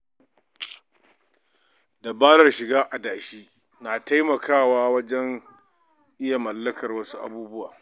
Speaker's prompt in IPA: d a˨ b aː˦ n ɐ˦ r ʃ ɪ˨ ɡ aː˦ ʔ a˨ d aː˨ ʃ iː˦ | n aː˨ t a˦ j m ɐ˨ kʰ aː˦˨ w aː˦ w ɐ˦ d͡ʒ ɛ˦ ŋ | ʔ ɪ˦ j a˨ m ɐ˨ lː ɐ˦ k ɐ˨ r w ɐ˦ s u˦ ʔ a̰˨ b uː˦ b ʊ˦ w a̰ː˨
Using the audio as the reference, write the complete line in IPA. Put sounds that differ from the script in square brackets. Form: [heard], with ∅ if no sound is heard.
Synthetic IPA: d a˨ b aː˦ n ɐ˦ r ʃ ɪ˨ ɡ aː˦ ʔ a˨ d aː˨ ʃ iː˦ | n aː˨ t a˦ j m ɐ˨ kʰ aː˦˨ w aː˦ w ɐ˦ d͡ʒ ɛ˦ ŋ | ʔ ɪ˦ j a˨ m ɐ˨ lː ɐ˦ k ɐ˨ r w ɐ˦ s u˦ ʔ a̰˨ b uː˦ b ʊ˦ w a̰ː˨